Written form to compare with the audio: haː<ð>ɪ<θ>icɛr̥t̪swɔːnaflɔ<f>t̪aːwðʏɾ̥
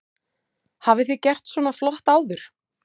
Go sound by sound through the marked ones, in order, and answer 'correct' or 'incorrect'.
incorrect, correct, incorrect

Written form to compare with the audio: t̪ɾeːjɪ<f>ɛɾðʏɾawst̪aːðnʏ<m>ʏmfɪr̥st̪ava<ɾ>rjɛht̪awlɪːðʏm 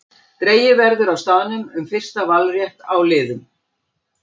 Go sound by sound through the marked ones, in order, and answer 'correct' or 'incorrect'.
incorrect, correct, incorrect

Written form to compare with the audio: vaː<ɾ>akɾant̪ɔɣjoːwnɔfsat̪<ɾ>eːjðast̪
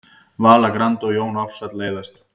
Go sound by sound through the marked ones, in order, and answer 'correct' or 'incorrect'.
incorrect, incorrect

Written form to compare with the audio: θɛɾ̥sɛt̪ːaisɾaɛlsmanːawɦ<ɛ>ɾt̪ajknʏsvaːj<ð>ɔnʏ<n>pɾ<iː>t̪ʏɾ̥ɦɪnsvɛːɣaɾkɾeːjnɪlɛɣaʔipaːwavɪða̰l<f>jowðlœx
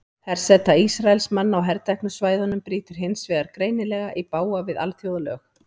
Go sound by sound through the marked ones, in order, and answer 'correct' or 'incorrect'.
correct, correct, incorrect, correct, incorrect

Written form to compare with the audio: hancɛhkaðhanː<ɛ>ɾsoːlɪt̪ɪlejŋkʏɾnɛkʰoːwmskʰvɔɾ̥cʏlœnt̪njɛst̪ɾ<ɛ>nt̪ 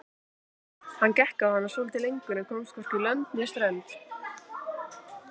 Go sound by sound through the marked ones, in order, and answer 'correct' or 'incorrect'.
incorrect, correct

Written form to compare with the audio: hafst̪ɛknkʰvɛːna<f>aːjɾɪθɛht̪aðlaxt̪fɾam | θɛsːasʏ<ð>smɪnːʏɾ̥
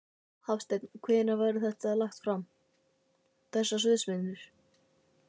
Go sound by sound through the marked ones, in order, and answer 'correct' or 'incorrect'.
incorrect, correct

